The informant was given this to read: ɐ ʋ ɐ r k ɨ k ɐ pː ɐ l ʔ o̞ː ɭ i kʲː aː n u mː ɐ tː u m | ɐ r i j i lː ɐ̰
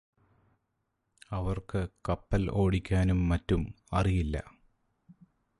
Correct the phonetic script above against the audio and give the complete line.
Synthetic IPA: ɐ ʋ ɐ r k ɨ k ɐ pː ɐ l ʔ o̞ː ɽ i kʲː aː n u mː ɐ tː u m | ɐ r i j i lː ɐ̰